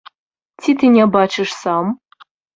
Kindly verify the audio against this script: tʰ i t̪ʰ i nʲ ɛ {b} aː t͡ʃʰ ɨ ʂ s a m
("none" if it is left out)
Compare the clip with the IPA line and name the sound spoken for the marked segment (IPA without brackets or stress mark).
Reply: b